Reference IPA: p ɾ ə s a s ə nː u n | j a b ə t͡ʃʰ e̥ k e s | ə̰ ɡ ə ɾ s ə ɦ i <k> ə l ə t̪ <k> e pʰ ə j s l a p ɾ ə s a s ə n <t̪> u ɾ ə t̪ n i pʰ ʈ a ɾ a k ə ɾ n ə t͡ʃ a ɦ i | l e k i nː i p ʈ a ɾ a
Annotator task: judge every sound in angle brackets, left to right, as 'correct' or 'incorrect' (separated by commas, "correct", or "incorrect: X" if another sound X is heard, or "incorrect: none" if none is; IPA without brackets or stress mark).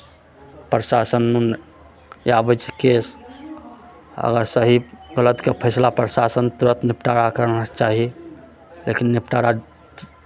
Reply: incorrect: ɡ, correct, correct